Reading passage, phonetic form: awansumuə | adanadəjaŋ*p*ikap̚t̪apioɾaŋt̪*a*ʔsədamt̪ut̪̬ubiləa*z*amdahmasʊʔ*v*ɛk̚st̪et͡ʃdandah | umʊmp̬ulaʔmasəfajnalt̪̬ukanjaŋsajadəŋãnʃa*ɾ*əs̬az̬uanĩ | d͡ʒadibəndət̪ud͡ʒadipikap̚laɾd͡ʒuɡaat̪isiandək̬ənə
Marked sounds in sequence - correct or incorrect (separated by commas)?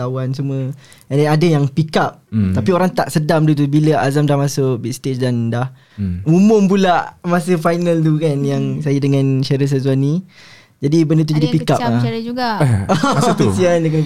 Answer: correct, correct, correct, incorrect, correct